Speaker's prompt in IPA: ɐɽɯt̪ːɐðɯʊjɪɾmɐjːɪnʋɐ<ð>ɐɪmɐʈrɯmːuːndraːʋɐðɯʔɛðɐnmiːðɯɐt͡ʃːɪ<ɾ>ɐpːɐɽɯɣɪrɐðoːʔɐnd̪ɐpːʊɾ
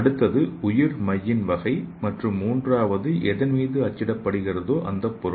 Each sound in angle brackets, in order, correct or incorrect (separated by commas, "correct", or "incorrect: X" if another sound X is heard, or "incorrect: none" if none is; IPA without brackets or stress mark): incorrect: ɣ, incorrect: ɽ